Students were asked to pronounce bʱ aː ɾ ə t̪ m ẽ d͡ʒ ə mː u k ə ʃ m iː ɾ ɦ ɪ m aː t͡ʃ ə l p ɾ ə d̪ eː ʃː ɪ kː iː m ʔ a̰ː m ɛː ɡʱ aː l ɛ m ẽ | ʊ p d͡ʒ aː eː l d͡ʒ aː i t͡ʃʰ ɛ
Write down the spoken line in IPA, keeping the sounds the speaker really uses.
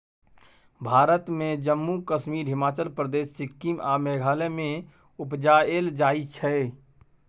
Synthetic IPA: bʱ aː ɾ ə t̪ m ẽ d͡ʒ ə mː u k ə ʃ m iː ɾ ɦ ɪ m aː t͡ʃ ə l p ɾ ə d̪ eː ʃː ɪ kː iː m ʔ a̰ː m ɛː ɡʱ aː l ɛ m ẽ | ʊ p d͡ʒ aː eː l d͡ʒ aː i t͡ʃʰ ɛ